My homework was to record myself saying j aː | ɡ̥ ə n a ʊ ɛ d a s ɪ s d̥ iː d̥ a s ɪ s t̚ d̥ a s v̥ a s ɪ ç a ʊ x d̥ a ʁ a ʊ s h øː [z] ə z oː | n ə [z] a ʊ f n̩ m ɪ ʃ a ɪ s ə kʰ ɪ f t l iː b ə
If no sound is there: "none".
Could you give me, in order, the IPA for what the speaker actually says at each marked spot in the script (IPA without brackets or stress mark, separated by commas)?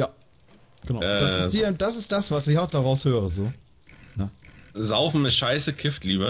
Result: ʁ, z